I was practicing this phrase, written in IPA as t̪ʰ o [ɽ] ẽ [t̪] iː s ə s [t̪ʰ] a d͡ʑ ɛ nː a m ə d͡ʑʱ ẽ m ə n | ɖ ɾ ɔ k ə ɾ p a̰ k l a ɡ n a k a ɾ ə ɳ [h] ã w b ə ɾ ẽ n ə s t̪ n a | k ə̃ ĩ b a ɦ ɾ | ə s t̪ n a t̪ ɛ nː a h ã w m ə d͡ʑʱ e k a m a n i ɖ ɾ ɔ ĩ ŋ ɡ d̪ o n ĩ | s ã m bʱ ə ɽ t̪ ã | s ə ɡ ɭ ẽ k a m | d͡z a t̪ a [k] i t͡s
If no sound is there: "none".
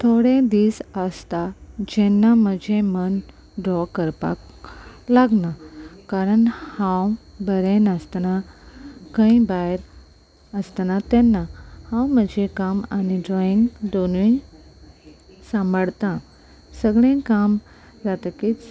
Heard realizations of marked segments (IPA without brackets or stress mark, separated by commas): ɽ, d̪, t̪, h, k